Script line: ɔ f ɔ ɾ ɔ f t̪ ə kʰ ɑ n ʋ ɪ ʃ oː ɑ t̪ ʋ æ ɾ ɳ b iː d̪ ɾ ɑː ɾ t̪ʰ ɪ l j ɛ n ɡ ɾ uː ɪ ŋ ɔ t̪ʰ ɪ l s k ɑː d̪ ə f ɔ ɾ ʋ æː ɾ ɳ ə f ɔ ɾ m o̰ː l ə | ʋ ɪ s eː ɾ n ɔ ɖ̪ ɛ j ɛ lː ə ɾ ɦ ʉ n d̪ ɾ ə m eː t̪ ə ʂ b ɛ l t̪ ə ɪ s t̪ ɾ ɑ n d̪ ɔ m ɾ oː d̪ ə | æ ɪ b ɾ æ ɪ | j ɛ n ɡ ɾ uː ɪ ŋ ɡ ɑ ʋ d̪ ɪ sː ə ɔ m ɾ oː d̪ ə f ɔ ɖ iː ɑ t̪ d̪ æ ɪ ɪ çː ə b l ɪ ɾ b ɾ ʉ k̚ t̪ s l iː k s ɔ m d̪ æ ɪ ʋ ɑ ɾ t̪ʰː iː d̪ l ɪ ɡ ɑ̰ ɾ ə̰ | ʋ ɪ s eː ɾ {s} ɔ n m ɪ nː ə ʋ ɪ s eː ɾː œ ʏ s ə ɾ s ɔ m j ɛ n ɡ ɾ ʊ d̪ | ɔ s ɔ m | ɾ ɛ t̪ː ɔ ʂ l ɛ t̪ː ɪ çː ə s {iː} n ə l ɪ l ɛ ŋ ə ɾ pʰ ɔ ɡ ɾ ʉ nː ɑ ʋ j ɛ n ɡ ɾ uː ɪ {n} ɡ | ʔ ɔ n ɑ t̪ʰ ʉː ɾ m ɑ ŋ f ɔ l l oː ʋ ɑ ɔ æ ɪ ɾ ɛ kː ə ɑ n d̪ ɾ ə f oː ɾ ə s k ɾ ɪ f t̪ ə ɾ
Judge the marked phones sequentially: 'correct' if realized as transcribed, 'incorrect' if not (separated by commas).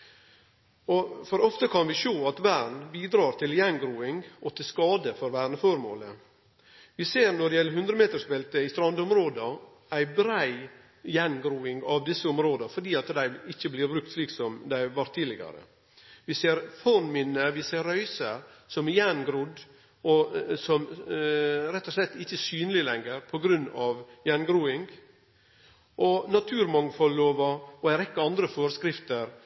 incorrect, incorrect, incorrect